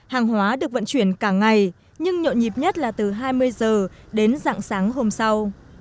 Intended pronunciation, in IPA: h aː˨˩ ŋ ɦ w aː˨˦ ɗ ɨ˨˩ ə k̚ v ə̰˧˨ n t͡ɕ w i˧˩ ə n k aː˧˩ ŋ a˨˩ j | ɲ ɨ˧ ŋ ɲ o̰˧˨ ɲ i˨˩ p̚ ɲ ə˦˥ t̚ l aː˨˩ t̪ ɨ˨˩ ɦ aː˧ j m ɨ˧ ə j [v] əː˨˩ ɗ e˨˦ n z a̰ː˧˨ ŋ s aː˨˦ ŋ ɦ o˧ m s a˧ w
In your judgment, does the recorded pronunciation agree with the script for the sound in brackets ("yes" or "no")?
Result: no